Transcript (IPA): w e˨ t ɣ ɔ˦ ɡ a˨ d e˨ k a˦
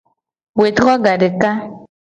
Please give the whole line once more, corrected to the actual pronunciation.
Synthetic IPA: w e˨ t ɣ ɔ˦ ɡ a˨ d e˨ k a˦